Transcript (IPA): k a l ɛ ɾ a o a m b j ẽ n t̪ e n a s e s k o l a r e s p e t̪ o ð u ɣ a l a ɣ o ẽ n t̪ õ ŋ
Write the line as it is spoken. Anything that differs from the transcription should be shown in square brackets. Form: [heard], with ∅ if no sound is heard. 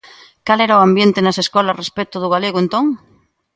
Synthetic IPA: k a l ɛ ɾ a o a m b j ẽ n t̪ e n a s e s k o l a r e s p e t̪ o ð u ɣ a l [e] ɣ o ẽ n t̪ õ ŋ